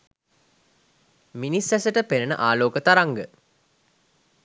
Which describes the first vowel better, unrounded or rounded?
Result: unrounded